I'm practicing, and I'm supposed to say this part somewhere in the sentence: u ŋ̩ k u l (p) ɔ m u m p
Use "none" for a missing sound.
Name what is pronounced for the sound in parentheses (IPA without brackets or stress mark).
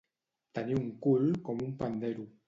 k